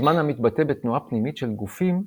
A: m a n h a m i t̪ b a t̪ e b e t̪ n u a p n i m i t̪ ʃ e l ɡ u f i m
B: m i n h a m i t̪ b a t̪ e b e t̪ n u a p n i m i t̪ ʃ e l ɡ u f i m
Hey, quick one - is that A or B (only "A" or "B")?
A